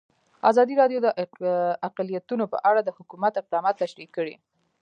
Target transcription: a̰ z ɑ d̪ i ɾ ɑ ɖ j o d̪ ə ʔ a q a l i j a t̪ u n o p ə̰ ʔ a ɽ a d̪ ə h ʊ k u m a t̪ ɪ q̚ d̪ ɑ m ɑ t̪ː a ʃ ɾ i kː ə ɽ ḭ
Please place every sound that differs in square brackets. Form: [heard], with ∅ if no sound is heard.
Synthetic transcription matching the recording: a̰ z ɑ d̪ i ɾ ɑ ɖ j o d̪ ə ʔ a q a l i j a t̪ u n o p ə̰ ʔ a ɽ a d̪ ə h ʊ k u m a t̪ ɪ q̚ d̪ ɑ m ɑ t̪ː a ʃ ɾ i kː ə ɽ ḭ